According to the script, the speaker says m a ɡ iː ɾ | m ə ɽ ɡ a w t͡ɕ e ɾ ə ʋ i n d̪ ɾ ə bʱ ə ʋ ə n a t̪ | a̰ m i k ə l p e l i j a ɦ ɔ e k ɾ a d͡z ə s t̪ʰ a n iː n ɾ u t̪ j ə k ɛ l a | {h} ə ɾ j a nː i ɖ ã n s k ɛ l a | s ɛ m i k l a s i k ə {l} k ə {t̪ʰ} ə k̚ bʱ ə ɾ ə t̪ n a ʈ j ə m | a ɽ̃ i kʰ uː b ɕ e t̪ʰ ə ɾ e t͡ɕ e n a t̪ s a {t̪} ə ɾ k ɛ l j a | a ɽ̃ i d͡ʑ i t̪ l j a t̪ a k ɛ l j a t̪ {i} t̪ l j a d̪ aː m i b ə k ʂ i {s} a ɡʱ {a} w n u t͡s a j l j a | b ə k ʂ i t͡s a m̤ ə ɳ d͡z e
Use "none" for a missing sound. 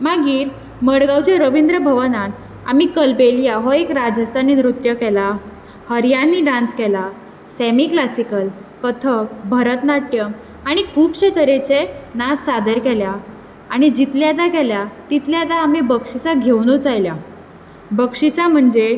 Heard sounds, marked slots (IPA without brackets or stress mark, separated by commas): h, l, t̪ʰ, d̪, i, t͡s, e